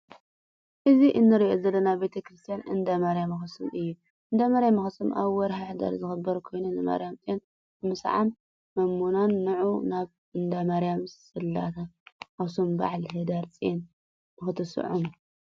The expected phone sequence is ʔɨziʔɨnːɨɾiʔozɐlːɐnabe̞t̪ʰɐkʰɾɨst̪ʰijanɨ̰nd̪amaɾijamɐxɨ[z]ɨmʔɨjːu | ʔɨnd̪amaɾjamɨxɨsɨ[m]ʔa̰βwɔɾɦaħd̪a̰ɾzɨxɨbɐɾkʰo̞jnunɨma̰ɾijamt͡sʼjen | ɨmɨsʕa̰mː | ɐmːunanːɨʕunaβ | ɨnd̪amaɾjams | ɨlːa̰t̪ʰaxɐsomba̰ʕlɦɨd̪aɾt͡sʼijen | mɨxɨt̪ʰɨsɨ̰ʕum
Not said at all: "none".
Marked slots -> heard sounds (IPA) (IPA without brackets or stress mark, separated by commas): s, m